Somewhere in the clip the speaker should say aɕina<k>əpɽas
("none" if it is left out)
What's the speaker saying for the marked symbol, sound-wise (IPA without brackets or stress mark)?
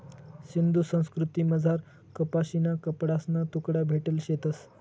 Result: k